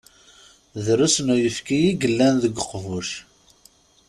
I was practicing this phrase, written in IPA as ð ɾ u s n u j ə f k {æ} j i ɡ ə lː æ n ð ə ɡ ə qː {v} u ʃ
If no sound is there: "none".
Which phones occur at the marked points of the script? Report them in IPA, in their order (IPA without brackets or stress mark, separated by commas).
i, v